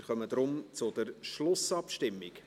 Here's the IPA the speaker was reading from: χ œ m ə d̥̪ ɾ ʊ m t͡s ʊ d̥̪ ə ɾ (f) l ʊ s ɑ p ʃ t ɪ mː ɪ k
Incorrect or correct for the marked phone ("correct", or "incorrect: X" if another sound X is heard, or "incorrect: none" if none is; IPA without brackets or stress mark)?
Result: incorrect: ʃ